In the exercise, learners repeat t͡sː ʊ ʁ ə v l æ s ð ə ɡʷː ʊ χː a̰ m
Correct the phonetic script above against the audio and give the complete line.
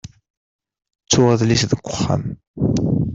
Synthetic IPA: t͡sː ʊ ʁ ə ð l i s ð ə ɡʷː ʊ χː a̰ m